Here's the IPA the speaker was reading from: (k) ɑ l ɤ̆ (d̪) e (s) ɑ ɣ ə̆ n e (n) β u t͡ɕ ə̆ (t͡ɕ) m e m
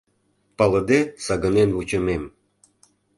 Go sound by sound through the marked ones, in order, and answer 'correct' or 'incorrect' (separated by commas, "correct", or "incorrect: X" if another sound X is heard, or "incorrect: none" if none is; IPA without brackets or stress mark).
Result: incorrect: p, correct, correct, correct, incorrect: none